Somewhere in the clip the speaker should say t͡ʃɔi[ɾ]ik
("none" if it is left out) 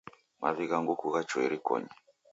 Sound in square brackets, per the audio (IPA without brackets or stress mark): ɾ